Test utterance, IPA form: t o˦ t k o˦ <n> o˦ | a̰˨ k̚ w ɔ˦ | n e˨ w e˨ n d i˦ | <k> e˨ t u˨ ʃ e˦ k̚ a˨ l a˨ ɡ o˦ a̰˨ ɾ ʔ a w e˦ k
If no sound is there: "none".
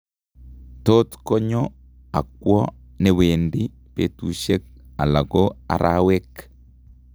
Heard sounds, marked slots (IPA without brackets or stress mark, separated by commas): ɲ, p